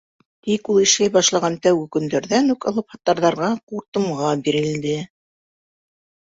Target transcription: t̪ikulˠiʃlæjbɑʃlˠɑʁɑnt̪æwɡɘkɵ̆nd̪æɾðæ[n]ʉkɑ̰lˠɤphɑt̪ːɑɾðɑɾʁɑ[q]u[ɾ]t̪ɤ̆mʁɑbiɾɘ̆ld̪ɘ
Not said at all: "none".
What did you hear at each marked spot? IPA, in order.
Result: n, q, ɾ

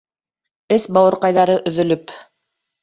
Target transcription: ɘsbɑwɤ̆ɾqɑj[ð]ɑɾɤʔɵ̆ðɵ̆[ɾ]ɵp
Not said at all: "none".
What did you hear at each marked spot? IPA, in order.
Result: ð, l

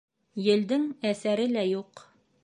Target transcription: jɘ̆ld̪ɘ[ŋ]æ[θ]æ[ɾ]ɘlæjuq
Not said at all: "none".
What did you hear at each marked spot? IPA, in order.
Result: ŋ, s, ɾ

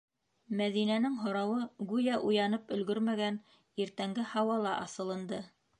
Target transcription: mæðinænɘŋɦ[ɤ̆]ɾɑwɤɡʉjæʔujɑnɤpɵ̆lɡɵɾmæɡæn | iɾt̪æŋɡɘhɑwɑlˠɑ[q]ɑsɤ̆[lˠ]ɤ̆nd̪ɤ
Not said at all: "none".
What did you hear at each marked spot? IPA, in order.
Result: ŏ, ʔ, lˠ

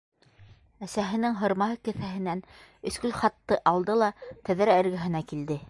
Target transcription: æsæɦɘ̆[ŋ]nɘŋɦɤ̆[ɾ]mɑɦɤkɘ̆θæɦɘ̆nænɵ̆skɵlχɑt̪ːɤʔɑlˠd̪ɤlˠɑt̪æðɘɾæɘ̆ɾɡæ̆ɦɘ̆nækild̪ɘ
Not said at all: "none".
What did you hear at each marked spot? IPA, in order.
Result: none, ɾ

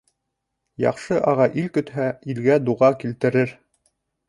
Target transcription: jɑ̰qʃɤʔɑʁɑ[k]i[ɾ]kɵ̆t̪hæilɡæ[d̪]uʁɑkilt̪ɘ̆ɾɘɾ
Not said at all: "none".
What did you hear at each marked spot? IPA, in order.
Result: ʔ, l, d̪

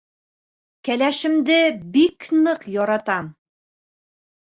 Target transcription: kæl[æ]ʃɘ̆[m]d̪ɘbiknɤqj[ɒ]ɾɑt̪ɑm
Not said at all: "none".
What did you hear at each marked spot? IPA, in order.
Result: æ, m, ɒ

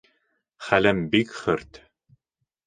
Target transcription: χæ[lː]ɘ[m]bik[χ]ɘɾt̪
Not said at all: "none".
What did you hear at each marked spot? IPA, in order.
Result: l, m, χ

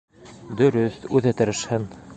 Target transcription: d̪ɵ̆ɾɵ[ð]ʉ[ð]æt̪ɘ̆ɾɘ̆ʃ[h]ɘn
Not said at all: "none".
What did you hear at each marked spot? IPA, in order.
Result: θ, ð, h

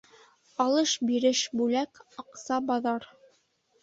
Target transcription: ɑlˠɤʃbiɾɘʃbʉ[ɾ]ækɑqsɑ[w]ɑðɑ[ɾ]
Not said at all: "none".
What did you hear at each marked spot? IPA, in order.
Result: l, b, ɾ

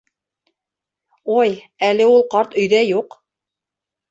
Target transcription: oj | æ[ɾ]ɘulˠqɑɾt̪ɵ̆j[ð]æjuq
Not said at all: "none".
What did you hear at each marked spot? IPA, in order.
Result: l, ð

